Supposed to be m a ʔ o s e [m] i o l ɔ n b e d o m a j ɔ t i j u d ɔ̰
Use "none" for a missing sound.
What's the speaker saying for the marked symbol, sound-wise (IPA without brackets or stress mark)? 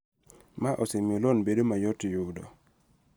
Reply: m